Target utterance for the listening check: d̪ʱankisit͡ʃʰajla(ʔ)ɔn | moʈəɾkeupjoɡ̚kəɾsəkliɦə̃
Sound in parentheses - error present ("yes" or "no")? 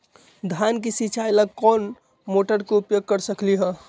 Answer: yes